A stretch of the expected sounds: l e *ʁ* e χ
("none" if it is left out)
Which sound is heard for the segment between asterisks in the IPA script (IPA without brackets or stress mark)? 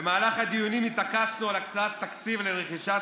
ʁ